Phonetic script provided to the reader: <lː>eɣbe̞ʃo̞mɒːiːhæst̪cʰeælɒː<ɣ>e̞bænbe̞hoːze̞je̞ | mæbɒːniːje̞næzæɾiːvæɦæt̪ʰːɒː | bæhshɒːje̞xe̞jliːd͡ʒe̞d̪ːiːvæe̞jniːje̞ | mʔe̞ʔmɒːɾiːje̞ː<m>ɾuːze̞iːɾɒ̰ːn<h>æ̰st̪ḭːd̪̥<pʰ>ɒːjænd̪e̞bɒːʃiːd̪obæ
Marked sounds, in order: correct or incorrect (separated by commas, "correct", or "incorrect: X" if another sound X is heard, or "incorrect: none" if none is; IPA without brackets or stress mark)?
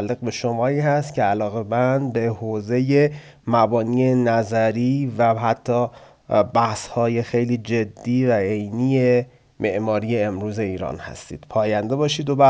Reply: correct, correct, correct, correct, correct